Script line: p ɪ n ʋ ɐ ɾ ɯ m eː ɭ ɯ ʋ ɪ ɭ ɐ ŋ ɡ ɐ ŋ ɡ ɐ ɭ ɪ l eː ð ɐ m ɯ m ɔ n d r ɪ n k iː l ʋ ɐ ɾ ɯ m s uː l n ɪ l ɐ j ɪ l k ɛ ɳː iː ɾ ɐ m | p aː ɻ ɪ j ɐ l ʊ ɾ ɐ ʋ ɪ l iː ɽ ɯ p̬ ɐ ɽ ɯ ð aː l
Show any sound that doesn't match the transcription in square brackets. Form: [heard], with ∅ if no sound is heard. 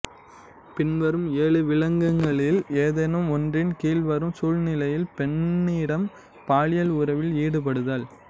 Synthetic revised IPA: p ɪ n ʋ ɐ ɾ ɯ m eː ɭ ɯ ʋ ɪ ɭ ɐ ŋ ɡ ɐ ŋ ɡ ɐ ɭ ɪ l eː ð ɐ [n] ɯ m ɔ n d r ɪ n k iː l ʋ ɐ ɾ ɯ m s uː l n ɪ l ɐ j ɪ l [p] ɛ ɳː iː [ɽ] ɐ m | p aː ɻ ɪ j ɐ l ʊ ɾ ɐ ʋ ɪ l iː ɽ ɯ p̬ ɐ ɽ ɯ ð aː l